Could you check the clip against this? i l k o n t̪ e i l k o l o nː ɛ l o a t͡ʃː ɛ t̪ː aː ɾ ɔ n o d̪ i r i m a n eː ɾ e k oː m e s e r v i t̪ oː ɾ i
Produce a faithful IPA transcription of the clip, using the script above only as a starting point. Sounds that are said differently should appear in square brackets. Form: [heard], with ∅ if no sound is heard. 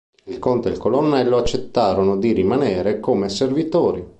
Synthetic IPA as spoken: i l k o n t̪ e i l k o l o nː ɛ [lː] o a t͡ʃː [e] t̪ː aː ɾ [o] n o d̪ i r i m a n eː ɾ e k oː m e s e r v i t̪ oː ɾ i